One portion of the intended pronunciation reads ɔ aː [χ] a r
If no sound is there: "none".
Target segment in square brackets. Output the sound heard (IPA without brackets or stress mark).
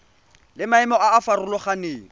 f